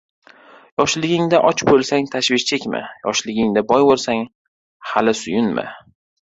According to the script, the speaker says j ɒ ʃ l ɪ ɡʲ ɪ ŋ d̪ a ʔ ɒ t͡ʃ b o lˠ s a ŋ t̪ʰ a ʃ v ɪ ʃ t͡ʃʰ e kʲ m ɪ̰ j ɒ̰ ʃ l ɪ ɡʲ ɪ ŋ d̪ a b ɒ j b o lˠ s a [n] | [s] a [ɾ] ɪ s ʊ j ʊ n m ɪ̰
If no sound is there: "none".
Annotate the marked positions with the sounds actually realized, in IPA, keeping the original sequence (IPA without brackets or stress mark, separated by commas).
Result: ŋ, h, l